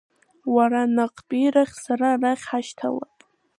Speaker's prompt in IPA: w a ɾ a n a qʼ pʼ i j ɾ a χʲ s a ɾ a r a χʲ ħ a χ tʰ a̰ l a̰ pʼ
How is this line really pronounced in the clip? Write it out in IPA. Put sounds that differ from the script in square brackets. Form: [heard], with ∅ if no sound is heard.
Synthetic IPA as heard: w a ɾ a n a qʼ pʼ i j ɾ a χʲ s a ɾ a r a χʲ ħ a [ʃ] tʰ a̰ l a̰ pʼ